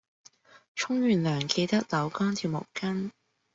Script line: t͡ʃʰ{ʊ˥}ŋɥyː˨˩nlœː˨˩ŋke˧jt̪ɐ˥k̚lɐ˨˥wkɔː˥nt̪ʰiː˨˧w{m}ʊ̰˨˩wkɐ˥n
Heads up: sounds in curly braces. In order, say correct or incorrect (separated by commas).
correct, correct